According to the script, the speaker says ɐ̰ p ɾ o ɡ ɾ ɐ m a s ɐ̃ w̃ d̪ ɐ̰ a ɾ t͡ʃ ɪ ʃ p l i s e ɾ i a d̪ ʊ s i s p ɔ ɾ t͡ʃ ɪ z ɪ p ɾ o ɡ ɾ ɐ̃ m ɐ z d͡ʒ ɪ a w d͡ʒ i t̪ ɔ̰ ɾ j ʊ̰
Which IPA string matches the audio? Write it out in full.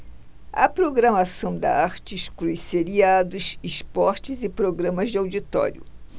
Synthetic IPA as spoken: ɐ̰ p ɾ o ɡ ɾ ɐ m a s ɐ̃ w̃ d̪ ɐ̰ a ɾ t͡ʃ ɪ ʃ k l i s e ɾ i a d̪ ʊ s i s p ɔ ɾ t͡ʃ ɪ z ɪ p ɾ o ɡ ɾ ɐ̃ m ɐ z d͡ʒ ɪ a w d͡ʒ i t̪ ɔ̰ ɾ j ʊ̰